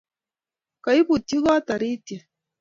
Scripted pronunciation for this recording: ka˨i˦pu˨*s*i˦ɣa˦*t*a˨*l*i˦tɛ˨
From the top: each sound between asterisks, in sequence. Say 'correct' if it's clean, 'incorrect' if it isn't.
incorrect: t, correct, incorrect: ɾ

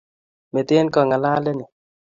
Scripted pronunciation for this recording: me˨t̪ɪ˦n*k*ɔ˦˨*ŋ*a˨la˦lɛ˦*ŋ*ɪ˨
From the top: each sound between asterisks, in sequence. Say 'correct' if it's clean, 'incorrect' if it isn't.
correct, correct, incorrect: n

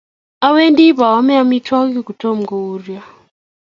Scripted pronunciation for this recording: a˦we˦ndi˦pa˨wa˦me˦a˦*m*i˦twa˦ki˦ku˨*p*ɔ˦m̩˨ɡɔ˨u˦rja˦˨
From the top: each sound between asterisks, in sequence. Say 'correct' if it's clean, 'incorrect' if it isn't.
correct, incorrect: t

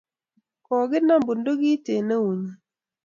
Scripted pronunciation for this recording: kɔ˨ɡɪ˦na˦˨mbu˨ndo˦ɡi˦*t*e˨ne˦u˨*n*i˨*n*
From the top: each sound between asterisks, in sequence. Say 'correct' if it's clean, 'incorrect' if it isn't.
correct, incorrect: ɲ, incorrect: none

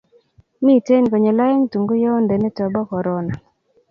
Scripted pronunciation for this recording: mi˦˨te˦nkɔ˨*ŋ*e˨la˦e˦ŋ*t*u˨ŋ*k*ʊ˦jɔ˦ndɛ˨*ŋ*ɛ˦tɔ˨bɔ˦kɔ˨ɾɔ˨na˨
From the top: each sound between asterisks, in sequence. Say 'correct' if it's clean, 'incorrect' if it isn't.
incorrect: ɲ, correct, incorrect: ɡ, incorrect: n

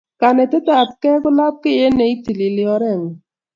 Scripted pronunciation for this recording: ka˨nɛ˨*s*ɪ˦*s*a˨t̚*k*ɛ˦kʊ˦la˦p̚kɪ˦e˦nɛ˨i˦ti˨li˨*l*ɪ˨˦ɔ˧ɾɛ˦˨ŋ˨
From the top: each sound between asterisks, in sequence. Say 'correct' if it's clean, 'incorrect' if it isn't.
incorrect: t, incorrect: t, correct, correct

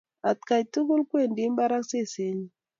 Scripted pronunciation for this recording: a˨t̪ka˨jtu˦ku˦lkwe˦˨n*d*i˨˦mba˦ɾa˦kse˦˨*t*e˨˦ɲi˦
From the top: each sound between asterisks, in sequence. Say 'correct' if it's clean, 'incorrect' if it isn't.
correct, incorrect: s

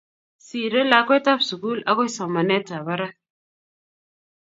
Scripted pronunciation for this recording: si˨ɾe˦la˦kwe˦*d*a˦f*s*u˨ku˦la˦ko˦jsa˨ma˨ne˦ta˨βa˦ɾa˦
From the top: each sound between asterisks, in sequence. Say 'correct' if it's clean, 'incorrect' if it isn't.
incorrect: t, correct

